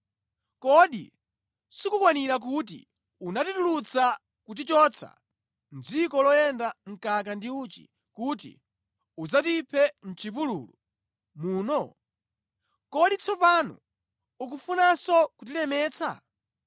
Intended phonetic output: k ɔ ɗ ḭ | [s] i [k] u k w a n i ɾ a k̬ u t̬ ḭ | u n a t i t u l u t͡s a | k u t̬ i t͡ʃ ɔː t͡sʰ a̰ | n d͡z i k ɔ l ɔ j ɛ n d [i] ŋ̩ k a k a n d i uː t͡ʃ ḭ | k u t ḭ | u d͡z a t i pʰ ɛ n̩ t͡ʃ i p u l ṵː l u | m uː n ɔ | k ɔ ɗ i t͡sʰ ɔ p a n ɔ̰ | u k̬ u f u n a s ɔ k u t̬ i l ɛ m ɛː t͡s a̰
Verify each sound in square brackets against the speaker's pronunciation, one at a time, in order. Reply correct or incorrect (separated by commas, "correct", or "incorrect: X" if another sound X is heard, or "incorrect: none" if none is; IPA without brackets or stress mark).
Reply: correct, correct, incorrect: a